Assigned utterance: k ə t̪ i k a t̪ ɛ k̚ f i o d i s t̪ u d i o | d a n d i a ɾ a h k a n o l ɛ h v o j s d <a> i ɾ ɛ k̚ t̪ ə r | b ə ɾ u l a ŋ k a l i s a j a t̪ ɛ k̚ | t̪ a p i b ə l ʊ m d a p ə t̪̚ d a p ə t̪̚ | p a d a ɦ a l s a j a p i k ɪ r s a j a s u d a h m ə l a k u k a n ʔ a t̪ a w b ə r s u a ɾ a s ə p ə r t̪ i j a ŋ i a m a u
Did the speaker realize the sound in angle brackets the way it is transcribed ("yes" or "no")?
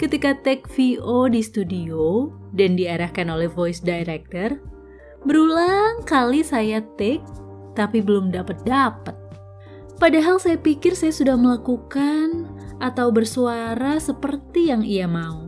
yes